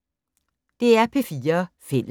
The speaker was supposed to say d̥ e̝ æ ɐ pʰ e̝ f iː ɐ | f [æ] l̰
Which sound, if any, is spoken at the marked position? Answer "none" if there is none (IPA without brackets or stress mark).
e